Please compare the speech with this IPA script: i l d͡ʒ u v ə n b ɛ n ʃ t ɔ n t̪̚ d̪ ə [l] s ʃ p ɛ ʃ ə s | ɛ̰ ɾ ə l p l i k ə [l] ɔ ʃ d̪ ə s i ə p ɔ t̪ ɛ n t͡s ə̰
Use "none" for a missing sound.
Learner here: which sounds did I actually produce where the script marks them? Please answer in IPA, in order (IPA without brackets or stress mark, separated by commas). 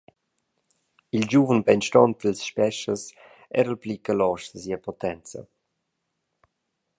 l, l